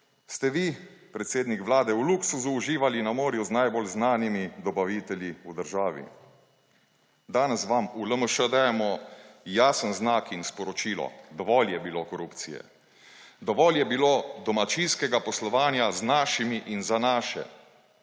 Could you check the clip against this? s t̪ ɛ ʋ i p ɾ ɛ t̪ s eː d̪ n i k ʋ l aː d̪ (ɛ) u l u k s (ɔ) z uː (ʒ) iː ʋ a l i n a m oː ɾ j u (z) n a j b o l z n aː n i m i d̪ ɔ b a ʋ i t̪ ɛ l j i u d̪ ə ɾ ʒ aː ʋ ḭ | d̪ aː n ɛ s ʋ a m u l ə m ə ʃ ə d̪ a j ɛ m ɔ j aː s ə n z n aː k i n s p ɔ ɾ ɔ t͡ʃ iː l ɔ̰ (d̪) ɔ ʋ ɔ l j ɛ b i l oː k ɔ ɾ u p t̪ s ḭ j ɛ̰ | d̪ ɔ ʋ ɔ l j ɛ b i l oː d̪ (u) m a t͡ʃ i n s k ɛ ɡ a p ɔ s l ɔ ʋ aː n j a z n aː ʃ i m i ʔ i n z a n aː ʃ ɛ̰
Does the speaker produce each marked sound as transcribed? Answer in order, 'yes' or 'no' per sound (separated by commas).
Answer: yes, no, yes, yes, yes, no